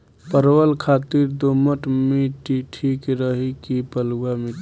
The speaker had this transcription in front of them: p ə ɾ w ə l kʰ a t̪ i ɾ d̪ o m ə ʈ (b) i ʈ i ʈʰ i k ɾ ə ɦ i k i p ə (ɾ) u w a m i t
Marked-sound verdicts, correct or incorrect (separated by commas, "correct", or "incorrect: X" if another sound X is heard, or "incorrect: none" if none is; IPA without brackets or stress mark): incorrect: m, incorrect: l